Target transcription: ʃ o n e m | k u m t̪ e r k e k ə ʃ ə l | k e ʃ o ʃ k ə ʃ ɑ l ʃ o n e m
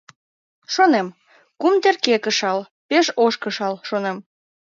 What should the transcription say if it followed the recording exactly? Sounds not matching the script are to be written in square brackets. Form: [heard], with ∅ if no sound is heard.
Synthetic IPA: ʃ o n e m | k u m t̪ e r k e k ə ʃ [ɑ] l | [p] e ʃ o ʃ k ə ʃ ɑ l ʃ o n e m